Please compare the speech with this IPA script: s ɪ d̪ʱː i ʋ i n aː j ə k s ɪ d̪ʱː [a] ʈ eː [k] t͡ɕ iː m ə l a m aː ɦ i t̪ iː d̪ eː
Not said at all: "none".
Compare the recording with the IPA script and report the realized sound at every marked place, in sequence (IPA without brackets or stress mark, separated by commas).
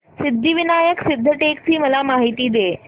ə, k